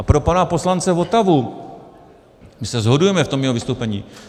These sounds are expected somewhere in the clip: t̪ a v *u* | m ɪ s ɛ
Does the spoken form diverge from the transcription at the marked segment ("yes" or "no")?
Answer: no